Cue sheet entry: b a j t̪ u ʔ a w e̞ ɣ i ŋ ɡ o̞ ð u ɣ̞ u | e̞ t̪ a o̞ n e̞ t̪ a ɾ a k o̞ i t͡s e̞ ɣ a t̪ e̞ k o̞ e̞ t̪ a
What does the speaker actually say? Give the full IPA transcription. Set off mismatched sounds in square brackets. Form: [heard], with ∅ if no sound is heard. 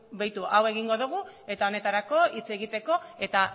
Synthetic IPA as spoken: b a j t̪ u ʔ a w e̞ ɣ i ŋ ɡ o̞ ð u ɣ̞ u | e̞ t̪ a o̞ n e̞ t̪ a ɾ a k o̞ i t͡s e̞ ɣ [i] t̪ e̞ k o̞ e̞ t̪ a